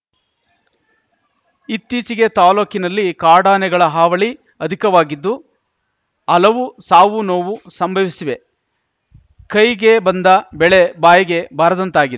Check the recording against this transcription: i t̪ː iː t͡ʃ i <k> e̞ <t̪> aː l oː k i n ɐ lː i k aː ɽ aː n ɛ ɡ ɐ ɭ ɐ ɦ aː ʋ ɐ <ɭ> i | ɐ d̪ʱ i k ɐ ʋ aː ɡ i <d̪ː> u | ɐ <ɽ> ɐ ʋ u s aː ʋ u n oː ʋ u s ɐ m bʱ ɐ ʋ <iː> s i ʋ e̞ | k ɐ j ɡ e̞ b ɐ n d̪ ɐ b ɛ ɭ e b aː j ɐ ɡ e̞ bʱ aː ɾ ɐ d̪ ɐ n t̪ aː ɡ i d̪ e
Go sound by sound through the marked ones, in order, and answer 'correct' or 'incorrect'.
incorrect: ɡ, correct, correct, correct, incorrect: l, incorrect: i

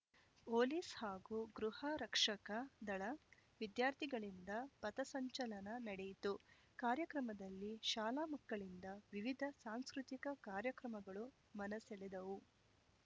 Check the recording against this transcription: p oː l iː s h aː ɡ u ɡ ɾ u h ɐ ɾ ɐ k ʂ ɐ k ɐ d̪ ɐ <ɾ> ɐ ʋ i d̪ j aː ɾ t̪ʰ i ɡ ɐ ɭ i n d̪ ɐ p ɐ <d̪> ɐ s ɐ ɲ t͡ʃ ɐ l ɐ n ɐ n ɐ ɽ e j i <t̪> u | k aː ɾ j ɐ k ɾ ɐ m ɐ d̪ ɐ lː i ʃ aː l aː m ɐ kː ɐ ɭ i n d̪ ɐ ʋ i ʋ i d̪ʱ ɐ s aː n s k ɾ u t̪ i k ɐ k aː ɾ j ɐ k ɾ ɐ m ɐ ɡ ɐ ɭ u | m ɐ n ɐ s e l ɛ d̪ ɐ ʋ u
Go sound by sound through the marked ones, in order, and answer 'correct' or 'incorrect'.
incorrect: ɭ, incorrect: t̪, correct

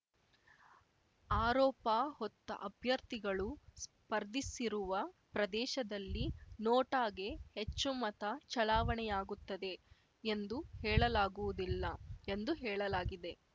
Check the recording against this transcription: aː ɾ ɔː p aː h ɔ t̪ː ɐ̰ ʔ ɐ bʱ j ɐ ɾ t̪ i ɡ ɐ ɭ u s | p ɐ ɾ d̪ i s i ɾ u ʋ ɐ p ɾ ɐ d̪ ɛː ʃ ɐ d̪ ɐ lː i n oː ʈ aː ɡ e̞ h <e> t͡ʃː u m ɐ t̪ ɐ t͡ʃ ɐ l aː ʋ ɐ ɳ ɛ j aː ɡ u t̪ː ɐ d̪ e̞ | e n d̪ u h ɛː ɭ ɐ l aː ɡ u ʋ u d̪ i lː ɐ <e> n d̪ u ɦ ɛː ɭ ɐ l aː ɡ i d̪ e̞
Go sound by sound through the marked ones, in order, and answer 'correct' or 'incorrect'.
correct, correct

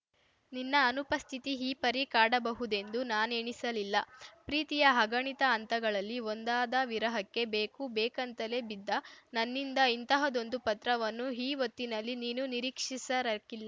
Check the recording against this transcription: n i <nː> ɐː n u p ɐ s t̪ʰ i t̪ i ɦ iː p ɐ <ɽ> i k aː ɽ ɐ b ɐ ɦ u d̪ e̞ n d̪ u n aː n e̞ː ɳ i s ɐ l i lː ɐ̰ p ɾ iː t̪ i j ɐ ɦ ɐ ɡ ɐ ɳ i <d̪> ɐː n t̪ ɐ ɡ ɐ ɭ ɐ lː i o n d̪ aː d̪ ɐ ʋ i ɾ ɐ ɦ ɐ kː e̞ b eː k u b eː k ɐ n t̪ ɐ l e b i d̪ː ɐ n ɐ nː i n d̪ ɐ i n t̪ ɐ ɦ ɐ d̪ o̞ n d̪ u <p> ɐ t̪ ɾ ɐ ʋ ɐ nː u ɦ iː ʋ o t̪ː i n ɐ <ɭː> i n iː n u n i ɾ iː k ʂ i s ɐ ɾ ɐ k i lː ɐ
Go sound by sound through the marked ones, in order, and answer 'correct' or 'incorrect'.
correct, incorrect: ɾ, incorrect: t̪, correct, incorrect: lː

